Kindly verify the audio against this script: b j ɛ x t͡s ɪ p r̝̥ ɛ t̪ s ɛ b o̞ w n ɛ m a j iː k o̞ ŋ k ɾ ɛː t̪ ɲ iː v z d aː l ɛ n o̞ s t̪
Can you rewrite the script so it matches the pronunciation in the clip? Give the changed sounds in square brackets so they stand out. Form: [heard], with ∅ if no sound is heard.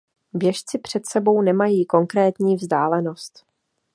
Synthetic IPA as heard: b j ɛ [ʃ] t͡s ɪ p r̝̥ ɛ t̪ s ɛ b o̞ w n ɛ m a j iː k o̞ ŋ k ɾ ɛː t̪ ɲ iː v z d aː l ɛ n o̞ s t̪